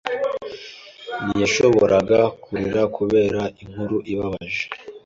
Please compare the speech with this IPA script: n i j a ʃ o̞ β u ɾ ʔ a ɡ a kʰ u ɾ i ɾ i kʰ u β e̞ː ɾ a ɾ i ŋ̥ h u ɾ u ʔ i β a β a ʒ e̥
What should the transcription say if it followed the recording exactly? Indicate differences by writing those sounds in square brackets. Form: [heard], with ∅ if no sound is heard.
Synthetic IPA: n i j a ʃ o̞ β [o] ɾ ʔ a ɡ a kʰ u ɾ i ɾ [a] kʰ u β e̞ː ɾ a [∅] i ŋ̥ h u ɾ u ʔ i β a β a ʒ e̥